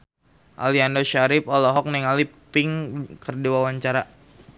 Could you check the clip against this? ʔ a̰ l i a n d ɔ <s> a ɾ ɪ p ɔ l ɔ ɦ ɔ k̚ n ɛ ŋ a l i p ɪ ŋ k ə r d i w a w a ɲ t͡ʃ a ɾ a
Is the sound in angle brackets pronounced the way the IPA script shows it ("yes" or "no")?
no